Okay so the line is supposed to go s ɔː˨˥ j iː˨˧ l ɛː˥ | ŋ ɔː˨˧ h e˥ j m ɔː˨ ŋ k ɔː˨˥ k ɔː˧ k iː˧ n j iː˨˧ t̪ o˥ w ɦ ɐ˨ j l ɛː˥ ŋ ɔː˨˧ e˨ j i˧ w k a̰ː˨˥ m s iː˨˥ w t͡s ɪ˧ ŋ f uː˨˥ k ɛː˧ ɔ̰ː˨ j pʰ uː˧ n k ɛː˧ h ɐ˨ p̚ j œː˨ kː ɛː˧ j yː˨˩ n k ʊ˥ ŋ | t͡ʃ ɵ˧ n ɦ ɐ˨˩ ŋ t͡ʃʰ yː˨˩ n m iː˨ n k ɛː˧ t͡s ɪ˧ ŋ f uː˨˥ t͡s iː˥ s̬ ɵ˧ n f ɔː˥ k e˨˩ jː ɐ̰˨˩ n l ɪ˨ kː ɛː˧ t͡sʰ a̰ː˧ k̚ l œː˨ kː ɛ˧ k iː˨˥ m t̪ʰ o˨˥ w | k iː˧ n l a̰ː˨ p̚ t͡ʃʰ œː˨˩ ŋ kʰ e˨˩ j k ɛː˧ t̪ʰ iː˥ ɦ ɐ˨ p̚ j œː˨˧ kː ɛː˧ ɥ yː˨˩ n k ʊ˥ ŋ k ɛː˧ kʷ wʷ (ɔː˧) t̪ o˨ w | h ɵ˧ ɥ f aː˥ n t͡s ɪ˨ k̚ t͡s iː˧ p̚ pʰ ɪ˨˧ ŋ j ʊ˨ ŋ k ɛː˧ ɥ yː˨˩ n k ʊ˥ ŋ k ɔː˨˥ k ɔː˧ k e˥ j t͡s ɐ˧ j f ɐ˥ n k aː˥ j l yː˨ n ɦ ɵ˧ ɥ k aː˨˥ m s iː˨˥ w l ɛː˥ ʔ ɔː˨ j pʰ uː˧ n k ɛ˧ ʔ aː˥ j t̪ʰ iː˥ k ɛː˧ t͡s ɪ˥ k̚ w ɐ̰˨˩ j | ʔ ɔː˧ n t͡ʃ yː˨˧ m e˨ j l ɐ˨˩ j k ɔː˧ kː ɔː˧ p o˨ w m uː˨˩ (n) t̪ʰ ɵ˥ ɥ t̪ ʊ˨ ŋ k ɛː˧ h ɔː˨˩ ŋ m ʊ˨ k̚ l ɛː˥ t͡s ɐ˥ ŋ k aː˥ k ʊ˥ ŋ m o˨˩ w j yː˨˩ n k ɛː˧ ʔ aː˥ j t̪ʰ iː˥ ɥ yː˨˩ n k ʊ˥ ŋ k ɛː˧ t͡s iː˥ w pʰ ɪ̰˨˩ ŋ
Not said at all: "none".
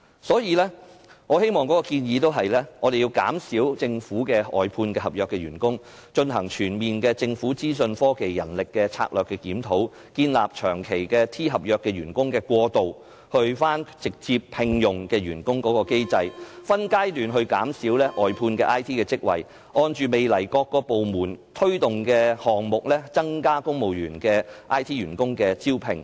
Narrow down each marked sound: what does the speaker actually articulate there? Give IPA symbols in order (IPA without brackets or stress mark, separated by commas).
ɔː˧, n